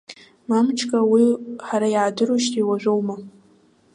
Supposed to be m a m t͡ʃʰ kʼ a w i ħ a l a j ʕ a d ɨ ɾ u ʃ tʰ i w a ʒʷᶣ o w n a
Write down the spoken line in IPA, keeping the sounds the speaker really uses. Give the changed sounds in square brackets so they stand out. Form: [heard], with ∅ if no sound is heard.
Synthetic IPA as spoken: m a m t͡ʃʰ kʼ a w i ħ a [ɾ] a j ʕ a d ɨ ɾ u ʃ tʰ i w a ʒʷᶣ o w [m] a